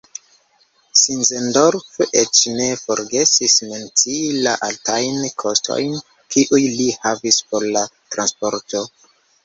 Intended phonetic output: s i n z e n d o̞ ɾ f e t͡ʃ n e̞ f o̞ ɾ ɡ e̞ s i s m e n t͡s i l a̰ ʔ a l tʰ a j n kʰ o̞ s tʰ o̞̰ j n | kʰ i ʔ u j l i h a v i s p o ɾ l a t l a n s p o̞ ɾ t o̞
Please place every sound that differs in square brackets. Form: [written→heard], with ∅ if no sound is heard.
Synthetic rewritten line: s i n z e n d o̞ ɾ f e t͡ʃ n e̞ f o̞ ɾ ɡ e̞ s i s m e n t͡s i l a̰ ʔ a l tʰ a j n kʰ o̞ s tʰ o̞̰ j n | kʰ i ʔ u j l i h a v i s p o ɾ l a t [l→ɾ] a n s p o̞ ɾ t o̞